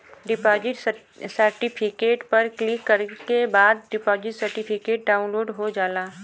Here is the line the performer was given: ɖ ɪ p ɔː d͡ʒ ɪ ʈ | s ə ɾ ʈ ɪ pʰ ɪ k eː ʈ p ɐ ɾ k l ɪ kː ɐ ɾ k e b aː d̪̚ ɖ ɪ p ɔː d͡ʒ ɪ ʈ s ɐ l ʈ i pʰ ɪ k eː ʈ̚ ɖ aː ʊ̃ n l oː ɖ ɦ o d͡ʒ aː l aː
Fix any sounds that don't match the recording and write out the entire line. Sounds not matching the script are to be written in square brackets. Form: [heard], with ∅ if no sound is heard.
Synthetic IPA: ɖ ɪ p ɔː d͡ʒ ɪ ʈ | s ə ɾ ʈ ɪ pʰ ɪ k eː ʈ p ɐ ɾ k l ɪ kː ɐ ɾ k e b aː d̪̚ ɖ ɪ p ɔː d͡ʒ ɪ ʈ s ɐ [ɾ] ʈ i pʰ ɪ k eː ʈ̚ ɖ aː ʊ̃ n l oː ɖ ɦ o d͡ʒ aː l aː